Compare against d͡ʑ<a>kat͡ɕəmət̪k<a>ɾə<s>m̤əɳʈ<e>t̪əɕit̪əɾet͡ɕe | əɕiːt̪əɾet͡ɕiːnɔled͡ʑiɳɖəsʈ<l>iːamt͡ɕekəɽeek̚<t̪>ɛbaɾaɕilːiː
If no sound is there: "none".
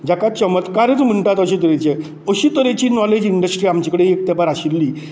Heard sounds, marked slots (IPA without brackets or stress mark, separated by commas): a, a, t͡s, a, ɾ, t̪